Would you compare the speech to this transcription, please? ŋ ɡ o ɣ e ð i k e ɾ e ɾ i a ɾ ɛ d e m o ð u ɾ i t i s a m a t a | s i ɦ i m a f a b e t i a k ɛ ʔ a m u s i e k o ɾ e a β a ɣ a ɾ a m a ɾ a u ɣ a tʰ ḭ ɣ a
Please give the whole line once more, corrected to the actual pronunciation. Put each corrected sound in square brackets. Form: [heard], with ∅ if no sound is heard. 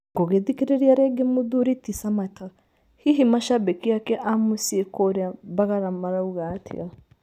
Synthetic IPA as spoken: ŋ ɡ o ɣ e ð i k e ɾ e ɾ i a ɾ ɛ [ɡ] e m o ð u ɾ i t i s a m a t a | [h] i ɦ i m a [ʃ] a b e [k] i a k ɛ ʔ a m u s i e k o ɾ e a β a ɣ a ɾ a m a ɾ a u ɣ a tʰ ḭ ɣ a